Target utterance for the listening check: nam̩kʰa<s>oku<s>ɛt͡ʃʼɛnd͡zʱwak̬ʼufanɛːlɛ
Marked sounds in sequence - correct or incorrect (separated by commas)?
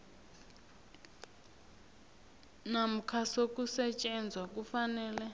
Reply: correct, correct